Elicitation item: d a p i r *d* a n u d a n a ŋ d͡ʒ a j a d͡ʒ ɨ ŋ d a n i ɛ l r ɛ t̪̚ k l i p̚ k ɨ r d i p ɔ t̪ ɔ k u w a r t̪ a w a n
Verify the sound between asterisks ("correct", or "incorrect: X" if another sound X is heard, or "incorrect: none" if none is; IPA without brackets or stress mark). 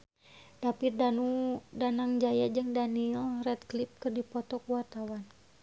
correct